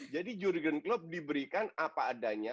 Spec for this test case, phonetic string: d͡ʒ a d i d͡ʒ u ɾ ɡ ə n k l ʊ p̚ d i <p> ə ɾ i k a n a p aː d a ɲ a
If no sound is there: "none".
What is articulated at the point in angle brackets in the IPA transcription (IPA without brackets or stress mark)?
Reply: b